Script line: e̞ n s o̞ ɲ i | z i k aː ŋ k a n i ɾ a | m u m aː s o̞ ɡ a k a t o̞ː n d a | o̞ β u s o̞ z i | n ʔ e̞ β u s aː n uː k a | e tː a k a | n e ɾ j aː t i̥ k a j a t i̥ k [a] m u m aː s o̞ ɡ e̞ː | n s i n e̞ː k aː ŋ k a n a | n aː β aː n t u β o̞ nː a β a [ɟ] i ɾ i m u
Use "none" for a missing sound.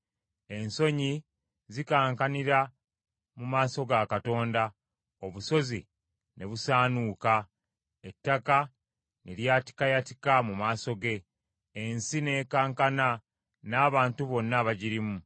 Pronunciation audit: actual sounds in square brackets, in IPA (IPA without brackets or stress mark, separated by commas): a, ɟ